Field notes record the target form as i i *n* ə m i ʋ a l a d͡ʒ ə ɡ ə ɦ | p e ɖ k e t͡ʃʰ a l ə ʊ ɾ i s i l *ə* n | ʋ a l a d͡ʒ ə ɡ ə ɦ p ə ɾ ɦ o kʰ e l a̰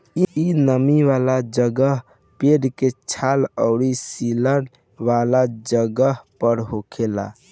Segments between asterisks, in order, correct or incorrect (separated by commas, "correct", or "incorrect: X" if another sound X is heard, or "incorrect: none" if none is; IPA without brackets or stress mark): correct, correct